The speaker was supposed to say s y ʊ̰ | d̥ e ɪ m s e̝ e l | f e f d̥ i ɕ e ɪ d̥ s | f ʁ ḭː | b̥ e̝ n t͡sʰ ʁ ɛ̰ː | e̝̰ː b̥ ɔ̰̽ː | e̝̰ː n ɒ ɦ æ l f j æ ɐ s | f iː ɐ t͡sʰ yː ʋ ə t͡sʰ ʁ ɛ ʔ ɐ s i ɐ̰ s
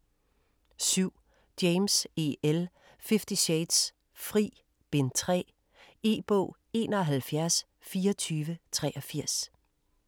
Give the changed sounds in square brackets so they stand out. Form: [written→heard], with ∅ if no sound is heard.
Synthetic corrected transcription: s y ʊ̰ | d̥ e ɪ m s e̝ e l | f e f d̥ i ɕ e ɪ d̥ s | f ʁ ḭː | b̥ e̝ n t͡sʰ ʁ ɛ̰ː | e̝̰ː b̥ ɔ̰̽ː | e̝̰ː n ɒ ɦ æ l f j æ ɐ s | f iː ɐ t͡sʰ yː ʋ ə t͡sʰ ʁ ɛ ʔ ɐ [s→f] i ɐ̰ s